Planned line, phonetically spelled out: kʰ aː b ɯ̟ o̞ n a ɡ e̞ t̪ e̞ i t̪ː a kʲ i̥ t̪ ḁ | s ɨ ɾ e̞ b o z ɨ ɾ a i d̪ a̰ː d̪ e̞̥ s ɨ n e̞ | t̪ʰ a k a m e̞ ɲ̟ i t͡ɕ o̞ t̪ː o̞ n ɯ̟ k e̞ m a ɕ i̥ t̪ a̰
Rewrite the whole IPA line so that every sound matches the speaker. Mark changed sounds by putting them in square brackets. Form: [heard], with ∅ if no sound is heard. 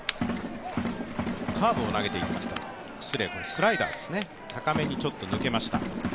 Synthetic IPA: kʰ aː b ɯ̟ o̞ n a ɡ e̞ t̪ e̞ i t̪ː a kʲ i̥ t̪ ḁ | s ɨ ɾ e̞ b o [s] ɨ ɾ a i d̪ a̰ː d̪ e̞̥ s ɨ n e̞ | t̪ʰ a k a m e̞ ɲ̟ i t͡ɕ o̞ t̪ː o̞ n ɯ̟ k e̞ m a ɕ i̥ t̪ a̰